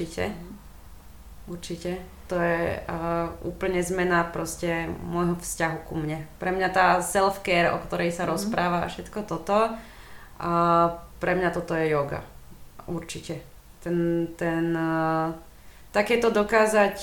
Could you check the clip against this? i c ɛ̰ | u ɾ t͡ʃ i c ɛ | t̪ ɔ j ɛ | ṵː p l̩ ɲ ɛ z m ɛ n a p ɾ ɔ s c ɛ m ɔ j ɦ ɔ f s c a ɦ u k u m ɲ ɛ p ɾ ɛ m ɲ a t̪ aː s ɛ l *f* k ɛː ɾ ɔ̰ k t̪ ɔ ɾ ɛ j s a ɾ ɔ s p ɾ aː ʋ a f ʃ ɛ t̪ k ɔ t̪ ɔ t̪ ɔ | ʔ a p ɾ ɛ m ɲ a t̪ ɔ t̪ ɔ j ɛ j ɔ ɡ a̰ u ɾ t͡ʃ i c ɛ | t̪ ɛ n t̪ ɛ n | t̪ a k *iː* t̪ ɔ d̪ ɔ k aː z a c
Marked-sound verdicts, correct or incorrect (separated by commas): correct, incorrect